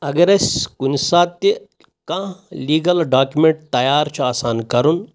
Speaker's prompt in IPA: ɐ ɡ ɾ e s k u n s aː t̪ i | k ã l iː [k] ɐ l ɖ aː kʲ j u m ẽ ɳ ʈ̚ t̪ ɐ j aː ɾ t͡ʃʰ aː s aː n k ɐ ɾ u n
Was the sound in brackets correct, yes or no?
no